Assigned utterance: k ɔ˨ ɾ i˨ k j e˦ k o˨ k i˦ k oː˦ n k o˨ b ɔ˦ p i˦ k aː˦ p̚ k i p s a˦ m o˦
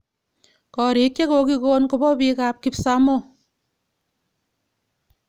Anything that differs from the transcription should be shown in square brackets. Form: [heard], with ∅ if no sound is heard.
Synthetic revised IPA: k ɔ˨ ɾ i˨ k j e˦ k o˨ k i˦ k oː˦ n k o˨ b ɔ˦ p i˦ k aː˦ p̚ k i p s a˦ m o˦